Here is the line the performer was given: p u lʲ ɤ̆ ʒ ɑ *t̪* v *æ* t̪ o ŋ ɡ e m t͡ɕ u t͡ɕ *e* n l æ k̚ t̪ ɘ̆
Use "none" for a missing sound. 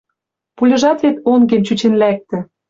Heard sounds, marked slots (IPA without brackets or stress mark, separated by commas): t̪, e, e